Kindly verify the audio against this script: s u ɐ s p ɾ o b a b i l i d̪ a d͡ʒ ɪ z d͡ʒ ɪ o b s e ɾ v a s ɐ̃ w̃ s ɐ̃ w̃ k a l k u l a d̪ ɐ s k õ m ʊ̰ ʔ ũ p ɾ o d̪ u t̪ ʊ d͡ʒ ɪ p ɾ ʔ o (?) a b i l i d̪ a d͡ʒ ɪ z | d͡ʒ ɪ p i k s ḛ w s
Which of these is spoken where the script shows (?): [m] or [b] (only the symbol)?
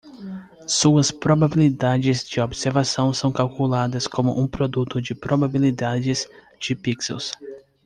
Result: b